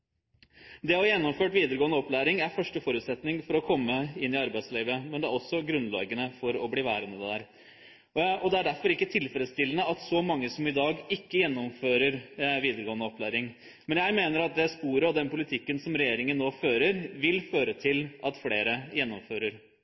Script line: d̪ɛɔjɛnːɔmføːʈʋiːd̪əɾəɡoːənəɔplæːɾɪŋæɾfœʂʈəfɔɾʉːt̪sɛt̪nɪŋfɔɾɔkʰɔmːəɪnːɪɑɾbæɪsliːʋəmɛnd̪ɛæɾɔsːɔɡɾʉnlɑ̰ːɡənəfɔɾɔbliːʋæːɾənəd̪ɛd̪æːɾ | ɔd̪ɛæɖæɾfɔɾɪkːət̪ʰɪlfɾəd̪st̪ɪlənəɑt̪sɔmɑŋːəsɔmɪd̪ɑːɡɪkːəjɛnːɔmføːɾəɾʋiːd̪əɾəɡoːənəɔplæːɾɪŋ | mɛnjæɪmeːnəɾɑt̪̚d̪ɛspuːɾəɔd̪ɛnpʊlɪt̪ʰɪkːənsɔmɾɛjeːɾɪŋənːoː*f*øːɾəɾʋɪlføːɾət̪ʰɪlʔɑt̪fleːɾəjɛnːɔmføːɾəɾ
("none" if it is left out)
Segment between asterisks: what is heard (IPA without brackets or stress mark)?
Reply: f